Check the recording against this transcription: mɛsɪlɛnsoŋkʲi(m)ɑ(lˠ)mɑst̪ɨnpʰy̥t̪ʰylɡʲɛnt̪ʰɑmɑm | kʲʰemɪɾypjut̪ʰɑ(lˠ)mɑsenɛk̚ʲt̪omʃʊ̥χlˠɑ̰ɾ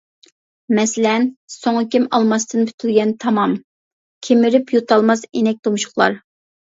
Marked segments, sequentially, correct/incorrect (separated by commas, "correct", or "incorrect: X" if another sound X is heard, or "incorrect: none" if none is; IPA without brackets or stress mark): correct, correct, correct